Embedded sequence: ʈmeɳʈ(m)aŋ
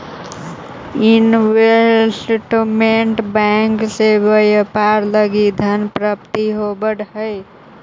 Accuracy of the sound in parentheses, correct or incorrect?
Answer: incorrect: b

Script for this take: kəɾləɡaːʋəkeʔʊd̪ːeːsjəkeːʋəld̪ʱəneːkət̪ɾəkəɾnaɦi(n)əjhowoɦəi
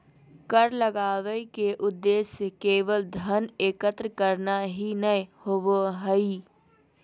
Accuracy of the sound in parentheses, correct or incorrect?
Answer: correct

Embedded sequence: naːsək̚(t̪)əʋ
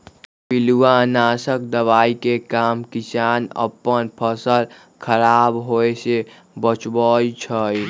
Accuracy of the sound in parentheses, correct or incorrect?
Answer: incorrect: d̪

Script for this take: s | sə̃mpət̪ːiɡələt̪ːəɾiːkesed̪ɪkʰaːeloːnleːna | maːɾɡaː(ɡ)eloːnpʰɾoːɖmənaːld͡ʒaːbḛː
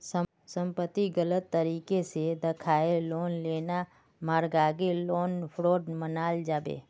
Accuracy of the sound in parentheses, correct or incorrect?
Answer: correct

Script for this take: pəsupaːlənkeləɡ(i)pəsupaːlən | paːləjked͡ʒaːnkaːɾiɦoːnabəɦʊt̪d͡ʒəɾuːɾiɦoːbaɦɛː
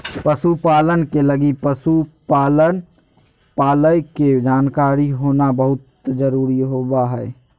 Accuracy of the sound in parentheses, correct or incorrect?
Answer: correct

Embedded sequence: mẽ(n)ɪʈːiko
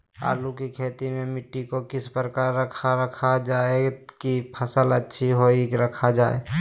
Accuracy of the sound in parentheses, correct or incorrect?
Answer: incorrect: m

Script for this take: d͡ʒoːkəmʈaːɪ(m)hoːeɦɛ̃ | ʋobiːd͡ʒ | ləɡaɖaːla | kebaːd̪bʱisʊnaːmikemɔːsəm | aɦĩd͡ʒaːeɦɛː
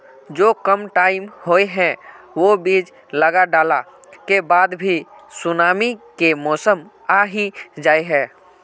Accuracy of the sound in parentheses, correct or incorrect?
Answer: correct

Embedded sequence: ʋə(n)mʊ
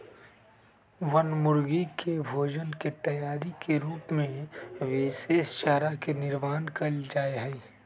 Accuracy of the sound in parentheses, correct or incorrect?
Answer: correct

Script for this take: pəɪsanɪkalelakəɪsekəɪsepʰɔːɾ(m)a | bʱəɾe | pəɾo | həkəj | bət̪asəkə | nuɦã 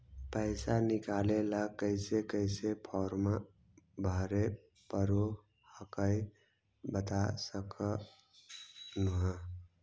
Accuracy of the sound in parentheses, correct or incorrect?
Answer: correct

